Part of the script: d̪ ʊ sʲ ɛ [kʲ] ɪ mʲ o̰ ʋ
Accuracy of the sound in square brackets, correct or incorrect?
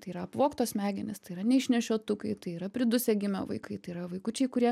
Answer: incorrect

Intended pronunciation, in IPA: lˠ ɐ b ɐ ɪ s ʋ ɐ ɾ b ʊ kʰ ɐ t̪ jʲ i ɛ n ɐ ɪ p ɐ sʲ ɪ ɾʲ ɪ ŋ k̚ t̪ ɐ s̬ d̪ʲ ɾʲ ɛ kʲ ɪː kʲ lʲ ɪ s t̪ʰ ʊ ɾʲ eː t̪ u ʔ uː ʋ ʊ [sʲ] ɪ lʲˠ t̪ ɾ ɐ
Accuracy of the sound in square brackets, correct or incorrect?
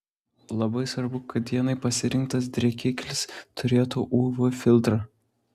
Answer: incorrect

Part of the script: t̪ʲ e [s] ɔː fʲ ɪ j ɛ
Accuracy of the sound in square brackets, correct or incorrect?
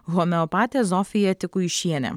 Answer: incorrect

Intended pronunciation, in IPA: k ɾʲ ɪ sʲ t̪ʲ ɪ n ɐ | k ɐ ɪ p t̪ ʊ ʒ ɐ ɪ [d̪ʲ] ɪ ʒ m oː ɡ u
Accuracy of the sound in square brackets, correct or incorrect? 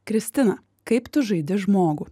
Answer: correct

